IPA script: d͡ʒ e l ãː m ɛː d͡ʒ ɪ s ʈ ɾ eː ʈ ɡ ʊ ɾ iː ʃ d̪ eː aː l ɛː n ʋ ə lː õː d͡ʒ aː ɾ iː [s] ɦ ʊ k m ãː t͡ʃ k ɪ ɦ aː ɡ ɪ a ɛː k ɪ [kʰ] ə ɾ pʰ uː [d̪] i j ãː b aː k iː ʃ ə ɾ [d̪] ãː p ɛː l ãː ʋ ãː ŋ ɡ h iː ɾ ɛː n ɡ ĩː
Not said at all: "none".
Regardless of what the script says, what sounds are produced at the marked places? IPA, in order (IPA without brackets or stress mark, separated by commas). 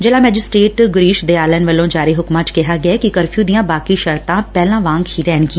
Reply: none, k, d̪, t̪